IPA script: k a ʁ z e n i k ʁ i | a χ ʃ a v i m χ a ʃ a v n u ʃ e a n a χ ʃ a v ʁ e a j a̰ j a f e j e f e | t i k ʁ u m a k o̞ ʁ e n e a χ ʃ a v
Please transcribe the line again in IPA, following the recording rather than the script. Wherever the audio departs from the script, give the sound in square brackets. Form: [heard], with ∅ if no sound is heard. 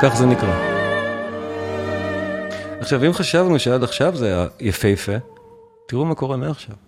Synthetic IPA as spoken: k a [χ] z e n i k ʁ [a] | a χ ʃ a v i m χ a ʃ a v n u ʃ e a [d] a χ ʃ a v [z] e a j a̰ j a f e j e f e | t i [∅] ʁ u m a k o̞ ʁ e n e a χ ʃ a v